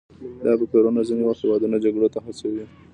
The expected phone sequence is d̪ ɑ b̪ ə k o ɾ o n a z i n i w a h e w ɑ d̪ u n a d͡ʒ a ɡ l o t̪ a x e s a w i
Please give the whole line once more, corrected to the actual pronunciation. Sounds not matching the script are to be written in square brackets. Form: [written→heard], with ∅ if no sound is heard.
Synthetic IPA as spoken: d̪ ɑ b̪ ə k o ɾ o n a z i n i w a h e w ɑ d̪ u n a d͡ʒ a ɡ [l→ɽ] o t̪ a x [e→a] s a w i